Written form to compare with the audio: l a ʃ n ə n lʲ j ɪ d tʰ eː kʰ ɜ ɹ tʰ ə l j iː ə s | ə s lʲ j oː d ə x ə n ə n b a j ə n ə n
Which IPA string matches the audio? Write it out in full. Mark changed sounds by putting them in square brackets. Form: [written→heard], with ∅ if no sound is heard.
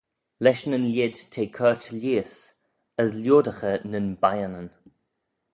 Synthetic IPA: l [a→ɛ] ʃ n ə n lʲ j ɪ d tʰ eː kʰ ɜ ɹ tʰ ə l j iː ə s | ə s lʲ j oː d ə x ə n ə n b a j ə n ə n